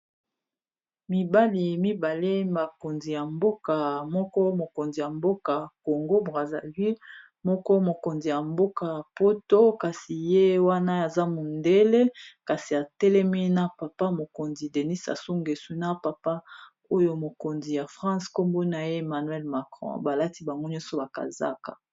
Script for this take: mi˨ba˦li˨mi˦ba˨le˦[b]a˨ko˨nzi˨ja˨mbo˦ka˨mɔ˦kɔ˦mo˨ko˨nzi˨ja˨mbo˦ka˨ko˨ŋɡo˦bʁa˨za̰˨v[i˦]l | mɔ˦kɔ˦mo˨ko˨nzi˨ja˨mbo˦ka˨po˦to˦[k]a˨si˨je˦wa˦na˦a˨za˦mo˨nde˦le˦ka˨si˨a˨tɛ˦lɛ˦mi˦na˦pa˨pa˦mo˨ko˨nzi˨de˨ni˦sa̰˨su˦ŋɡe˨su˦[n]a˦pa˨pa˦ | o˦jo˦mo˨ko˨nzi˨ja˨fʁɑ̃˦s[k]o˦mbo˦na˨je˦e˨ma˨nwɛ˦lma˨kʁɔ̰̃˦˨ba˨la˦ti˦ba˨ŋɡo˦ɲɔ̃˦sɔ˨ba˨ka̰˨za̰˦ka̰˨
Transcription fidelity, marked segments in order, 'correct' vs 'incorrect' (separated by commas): incorrect, correct, correct, correct, correct